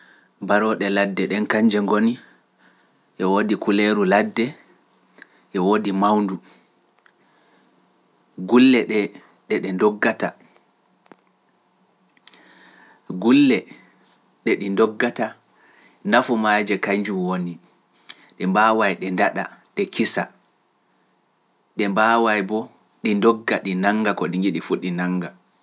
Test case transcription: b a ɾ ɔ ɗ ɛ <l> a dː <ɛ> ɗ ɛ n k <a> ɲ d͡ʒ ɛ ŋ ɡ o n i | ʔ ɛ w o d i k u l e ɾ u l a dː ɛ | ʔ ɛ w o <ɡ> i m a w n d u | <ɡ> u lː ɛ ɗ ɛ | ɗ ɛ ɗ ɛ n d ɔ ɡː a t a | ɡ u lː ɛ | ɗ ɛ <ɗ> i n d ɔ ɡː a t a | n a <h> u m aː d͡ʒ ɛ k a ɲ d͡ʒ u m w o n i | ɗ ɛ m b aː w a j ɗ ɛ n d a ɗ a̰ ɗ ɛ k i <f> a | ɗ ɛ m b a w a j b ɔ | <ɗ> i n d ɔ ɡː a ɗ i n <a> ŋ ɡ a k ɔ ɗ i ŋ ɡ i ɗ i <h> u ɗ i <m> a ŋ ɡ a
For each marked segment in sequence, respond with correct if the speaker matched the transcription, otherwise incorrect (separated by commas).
correct, correct, correct, incorrect, correct, correct, incorrect, incorrect, correct, correct, incorrect, incorrect